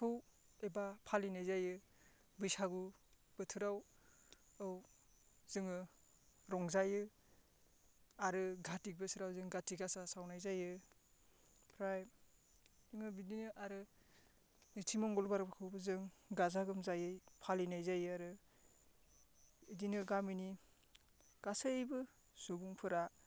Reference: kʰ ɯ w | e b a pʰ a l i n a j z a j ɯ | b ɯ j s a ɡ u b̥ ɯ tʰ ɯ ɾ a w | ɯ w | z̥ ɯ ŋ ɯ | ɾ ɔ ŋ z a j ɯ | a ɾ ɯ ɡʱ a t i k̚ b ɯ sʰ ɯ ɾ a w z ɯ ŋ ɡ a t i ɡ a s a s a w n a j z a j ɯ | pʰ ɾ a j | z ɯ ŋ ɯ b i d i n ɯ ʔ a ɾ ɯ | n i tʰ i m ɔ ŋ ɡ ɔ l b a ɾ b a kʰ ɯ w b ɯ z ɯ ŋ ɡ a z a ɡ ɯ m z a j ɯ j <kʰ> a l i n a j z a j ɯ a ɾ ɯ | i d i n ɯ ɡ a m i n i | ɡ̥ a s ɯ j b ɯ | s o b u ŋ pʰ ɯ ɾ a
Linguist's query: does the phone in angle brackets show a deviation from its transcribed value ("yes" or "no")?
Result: yes